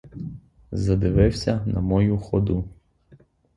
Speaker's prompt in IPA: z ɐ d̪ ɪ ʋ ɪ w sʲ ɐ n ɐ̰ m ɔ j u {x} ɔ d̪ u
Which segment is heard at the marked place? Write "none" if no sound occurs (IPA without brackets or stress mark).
x